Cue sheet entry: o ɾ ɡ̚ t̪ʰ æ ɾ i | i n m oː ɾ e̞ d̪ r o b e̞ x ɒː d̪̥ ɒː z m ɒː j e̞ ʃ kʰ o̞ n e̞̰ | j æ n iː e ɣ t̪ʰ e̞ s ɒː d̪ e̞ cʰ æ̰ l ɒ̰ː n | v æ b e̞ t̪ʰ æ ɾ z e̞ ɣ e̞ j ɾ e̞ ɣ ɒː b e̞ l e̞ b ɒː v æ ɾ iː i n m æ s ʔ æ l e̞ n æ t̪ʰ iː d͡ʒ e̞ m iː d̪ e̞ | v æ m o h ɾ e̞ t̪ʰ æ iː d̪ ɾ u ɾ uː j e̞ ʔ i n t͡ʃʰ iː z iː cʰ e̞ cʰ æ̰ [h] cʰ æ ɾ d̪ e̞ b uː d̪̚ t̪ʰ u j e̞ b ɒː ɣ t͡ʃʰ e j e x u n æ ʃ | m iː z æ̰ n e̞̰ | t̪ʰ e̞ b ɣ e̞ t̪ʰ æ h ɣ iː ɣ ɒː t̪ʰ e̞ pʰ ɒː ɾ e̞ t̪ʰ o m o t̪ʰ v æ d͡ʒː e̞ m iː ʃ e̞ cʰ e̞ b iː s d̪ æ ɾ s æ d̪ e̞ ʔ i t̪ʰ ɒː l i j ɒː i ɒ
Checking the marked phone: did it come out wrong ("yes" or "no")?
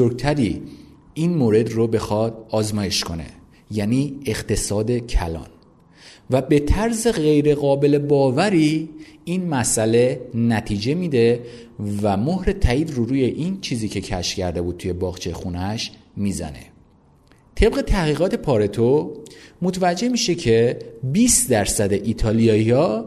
yes